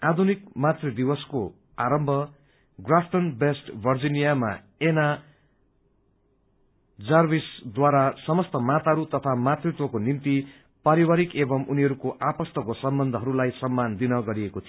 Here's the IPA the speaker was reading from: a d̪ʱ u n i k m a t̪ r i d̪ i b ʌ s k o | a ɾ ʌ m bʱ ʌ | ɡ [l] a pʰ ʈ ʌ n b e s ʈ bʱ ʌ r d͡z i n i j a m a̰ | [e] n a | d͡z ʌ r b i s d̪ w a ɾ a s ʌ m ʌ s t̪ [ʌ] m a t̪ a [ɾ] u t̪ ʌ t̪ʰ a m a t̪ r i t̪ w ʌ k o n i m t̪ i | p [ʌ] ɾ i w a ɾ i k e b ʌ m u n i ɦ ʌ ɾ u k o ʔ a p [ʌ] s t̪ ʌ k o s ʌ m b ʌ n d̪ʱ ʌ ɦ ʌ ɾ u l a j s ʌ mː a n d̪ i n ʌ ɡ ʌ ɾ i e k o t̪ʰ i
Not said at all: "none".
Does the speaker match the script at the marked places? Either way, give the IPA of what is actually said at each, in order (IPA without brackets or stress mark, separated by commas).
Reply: r, e, ʌ, ɾ, a, ʌ